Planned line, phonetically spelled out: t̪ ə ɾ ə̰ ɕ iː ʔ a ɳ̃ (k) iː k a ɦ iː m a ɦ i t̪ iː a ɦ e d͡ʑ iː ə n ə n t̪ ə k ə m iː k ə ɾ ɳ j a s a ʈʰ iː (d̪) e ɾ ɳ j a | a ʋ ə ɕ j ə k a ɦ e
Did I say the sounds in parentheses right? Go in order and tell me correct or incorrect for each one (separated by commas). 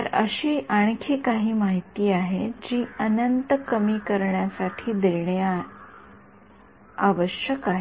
incorrect, correct